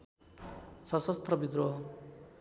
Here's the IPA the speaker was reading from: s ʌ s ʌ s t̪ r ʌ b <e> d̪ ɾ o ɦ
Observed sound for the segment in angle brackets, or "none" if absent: i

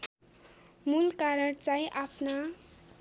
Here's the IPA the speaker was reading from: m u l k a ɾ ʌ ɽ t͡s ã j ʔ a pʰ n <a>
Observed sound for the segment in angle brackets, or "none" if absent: a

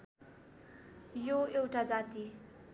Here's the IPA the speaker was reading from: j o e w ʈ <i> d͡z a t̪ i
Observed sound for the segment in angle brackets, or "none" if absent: a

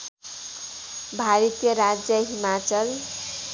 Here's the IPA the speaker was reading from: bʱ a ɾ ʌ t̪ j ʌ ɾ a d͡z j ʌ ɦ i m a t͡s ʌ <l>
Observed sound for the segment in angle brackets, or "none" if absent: l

